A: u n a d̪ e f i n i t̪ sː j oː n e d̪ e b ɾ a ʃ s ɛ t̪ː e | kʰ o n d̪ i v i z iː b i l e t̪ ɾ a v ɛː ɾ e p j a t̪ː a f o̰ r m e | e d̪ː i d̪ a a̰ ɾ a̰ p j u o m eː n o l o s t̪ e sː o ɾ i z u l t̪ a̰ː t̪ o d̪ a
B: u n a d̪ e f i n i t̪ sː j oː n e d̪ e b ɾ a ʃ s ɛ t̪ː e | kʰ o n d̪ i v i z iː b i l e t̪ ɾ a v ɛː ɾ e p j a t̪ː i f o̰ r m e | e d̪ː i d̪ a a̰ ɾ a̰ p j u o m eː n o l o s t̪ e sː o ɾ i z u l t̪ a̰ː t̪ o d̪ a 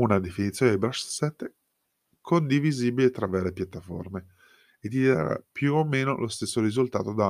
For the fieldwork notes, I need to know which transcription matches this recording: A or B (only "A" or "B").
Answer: A